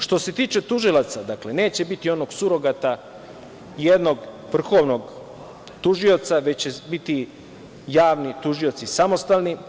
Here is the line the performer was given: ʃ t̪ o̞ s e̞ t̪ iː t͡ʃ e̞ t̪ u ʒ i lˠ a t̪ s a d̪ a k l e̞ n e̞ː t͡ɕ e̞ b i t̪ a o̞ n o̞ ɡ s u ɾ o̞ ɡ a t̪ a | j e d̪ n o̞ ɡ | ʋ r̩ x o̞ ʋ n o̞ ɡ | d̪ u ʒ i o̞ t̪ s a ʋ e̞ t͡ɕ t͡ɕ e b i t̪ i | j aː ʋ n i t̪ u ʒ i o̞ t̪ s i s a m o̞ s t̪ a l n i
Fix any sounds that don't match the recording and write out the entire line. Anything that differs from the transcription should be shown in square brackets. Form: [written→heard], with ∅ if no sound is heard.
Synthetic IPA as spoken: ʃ t̪ o̞ s e̞ t̪ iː t͡ʃ e̞ t̪ u ʒ i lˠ a t̪ s a d̪ a k l e̞ n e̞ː t͡ɕ e̞ b i t̪ [a→i] o̞ n o̞ ɡ s u ɾ o̞ ɡ a t̪ a | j e d̪ n o̞ ɡ | ʋ r̩ x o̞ ʋ n o̞ ɡ | [d̪→t̪] u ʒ i o̞ t̪ s a ʋ e̞ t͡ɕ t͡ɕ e b i t̪ i | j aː ʋ n i t̪ u ʒ i o̞ t̪ s i s a m o̞ s t̪ a l n i